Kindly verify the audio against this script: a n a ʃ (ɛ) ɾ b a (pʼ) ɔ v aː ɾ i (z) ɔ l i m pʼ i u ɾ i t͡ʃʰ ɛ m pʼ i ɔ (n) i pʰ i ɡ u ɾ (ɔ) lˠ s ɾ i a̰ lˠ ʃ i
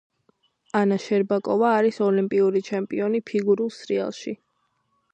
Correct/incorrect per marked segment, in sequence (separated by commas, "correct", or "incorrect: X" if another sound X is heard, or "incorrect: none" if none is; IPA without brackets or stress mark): correct, incorrect: kʼ, incorrect: s, correct, incorrect: u